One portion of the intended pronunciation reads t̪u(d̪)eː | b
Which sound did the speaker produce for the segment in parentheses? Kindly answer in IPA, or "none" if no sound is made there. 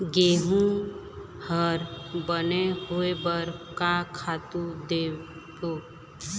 d̪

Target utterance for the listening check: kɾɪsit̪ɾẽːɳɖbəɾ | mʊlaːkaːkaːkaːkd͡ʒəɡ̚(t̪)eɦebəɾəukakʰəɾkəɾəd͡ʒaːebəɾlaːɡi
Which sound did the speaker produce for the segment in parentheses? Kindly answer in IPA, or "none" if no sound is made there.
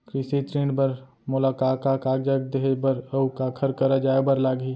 d̪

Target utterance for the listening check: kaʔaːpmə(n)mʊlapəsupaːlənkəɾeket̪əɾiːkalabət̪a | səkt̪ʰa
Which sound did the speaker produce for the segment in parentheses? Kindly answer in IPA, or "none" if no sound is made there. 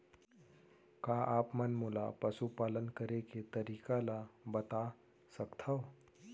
n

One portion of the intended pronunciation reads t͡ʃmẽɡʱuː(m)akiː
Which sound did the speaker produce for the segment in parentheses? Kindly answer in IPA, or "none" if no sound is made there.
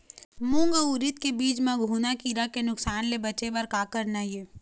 n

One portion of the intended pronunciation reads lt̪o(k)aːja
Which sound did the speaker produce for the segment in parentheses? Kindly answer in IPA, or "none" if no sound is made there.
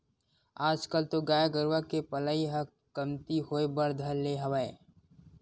ɡ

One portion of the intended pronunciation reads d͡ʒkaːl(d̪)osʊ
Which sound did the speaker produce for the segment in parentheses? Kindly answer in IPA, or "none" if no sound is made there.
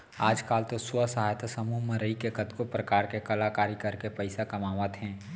t̪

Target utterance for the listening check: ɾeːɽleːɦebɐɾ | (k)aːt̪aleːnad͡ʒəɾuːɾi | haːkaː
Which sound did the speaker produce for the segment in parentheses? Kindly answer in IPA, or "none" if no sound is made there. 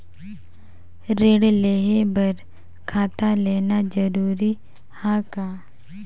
kʰ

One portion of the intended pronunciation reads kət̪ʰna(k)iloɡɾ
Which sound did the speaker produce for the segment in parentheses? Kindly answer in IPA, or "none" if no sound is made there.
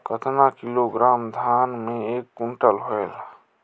k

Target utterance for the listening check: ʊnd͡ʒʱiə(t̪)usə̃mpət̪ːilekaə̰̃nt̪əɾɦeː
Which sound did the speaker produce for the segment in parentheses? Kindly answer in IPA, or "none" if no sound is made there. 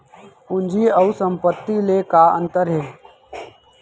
none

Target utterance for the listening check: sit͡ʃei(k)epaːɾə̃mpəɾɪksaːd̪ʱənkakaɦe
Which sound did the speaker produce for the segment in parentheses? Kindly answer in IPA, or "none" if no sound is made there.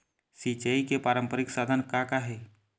k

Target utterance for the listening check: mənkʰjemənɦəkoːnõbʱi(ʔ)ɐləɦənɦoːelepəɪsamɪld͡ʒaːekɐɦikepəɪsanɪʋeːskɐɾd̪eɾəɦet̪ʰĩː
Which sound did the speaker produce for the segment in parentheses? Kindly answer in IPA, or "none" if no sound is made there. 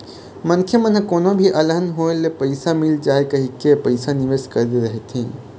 ʔ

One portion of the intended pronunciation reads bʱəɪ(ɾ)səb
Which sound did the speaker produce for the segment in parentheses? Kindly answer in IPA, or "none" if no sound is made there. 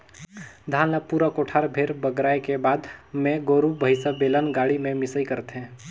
none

